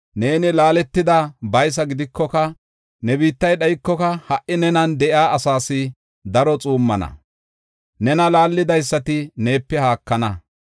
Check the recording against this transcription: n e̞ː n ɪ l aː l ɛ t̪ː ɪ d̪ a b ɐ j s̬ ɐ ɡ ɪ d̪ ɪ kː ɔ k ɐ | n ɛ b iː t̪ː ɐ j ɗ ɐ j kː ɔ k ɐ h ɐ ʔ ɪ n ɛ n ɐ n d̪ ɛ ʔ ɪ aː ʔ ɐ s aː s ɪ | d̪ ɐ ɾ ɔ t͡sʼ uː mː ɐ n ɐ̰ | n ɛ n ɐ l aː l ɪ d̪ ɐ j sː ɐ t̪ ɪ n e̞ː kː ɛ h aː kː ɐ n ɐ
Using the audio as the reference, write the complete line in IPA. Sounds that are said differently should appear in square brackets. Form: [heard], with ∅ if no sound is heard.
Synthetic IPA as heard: n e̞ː n ɪ l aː l ɛ t̪ː ɪ d̪ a b ɐ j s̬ ɐ ɡ ɪ d̪ ɪ kː ɔ k ɐ | n ɛ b iː t̪ː ɐ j ɗ ɐ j kː ɔ k ɐ h ɐ ʔ ɪ n ɛ n ɐ n d̪ ɛ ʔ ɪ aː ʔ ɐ s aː s ɪ | d̪ ɐ ɾ ɔ t͡sʼ uː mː ɐ n ɐ̰ | n ɛ n ɐ l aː [lː] ɪ d̪ ɐ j sː ɐ t̪ ɪ n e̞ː [pː] ɛ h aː kː ɐ n ɐ